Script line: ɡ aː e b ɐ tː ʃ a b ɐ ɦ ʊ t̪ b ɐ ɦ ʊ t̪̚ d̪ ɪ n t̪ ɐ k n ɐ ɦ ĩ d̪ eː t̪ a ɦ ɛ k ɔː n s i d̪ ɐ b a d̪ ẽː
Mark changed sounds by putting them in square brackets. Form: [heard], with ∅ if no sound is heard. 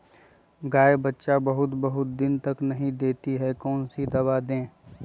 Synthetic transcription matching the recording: ɡ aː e b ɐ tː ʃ a b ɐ ɦ ʊ t̪ b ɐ ɦ ʊ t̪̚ d̪ ɪ n t̪ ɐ k n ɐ ɦ ĩ d̪ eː t̪ [i] ɦ ɛ k ɔː n s i d̪ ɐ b a d̪ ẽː